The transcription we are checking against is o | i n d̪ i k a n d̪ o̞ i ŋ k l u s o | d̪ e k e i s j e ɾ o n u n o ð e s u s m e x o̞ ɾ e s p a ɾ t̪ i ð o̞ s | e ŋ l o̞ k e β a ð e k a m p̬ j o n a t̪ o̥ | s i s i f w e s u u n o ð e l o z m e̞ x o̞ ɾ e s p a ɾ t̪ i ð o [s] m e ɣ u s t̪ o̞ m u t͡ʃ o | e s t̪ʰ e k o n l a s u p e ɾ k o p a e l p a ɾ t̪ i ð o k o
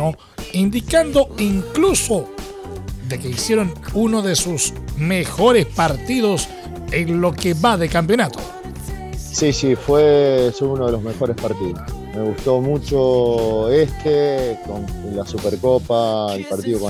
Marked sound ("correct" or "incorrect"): correct